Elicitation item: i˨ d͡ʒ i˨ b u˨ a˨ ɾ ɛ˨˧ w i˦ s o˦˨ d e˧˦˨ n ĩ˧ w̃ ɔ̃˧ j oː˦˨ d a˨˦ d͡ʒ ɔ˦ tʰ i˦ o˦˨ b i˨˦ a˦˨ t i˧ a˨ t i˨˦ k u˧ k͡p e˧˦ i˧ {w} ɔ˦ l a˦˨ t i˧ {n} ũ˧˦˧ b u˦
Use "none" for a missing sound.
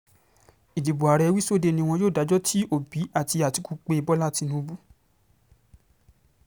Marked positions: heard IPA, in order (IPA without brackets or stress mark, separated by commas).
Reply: b, n